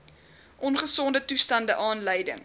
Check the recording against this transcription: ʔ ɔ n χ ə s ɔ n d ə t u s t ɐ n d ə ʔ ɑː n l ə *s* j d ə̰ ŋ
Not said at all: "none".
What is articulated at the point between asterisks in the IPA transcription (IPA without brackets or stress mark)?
none